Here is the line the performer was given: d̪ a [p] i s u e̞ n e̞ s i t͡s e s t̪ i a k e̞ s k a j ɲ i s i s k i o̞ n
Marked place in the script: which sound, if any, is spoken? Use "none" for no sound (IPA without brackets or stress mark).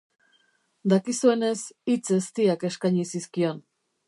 k